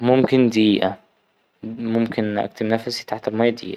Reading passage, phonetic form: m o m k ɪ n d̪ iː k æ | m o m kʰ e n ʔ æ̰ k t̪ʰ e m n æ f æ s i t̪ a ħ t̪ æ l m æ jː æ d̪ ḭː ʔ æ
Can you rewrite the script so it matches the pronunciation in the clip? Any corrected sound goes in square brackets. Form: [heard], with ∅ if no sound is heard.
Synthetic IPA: m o m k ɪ n d̪ iː [ʔ] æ | m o m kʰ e n ʔ æ̰ k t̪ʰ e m n æ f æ s i t̪ a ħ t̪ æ l m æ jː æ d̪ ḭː ʔ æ